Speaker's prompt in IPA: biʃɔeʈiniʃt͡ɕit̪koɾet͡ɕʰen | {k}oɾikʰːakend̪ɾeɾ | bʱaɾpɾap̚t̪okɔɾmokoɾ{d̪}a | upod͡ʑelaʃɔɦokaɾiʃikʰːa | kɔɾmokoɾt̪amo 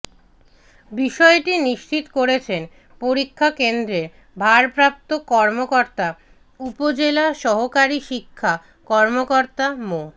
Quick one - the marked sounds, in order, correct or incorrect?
incorrect: p, incorrect: t̪

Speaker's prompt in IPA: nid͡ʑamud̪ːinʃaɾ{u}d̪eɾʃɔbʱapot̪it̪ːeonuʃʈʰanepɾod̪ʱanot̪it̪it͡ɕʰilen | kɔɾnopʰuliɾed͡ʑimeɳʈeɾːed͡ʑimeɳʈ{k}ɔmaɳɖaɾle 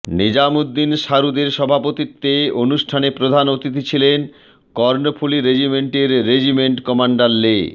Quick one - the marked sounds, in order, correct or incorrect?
correct, correct

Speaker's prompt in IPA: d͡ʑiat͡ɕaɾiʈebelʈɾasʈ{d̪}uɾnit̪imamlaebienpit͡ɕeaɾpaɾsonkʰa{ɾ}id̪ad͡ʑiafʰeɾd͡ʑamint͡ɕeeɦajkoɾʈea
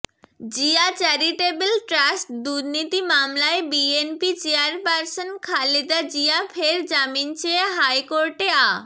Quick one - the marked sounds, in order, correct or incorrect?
correct, incorrect: l

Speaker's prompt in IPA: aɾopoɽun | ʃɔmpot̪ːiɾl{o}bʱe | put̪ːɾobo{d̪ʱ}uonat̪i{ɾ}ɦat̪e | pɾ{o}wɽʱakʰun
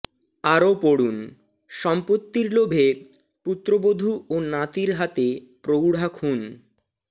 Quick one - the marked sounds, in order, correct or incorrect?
correct, correct, correct, correct

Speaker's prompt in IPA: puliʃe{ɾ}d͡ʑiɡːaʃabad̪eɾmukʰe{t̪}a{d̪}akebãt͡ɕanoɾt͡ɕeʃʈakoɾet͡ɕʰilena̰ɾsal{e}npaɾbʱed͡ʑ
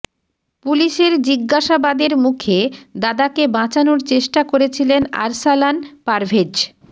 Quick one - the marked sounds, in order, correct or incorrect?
correct, incorrect: d̪, correct, incorrect: a

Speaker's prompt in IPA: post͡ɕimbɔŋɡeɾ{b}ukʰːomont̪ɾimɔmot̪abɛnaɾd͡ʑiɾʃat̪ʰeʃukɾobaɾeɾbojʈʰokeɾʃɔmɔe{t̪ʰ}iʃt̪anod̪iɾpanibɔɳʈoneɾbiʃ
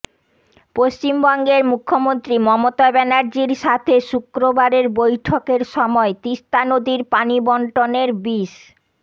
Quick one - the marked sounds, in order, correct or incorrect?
incorrect: m, incorrect: t̪

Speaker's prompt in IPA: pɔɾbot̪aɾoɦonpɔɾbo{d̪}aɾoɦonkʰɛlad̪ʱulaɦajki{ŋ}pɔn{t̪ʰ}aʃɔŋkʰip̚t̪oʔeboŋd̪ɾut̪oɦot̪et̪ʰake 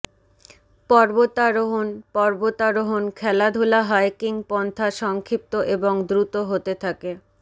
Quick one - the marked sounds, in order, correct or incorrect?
incorrect: t̪, correct, correct

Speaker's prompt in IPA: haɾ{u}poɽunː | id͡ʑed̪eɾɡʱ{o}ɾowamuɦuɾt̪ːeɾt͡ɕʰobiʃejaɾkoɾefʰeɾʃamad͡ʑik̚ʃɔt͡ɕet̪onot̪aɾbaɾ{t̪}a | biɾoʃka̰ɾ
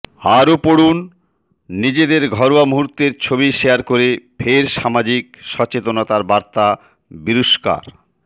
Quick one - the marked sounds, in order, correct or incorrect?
incorrect: o, incorrect: ɔ, correct

